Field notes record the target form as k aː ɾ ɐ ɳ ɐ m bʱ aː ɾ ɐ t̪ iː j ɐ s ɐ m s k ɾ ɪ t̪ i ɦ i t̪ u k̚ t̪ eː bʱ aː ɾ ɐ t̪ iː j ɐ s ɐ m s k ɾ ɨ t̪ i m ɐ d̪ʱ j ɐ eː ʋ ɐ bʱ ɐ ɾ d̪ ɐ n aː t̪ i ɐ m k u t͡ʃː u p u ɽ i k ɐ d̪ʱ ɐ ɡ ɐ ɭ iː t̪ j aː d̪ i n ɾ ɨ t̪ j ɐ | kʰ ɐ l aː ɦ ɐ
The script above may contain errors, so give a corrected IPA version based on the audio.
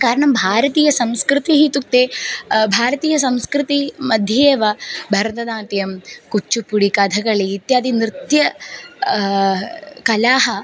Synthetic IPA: k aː ɾ ɐ ɳ ɐ m bʱ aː ɾ ɐ t̪ iː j ɐ s ɐ m s k ɾ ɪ t̪ i ɦ i t̪ u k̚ t̪ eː bʱ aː ɾ ɐ t̪ iː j ɐ s ɐ m s k ɾ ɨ t̪ i m ɐ d̪ʱ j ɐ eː ʋ ɐ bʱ ɐ ɾ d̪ ɐ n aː t̪ j ɐ m k u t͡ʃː u p u ɽ i k ɐ d̪ʱ ɐ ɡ ɐ ɭ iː t̪ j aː d̪ i n ɾ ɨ t̪ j ɐ | k ɐ l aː ɦ ɐ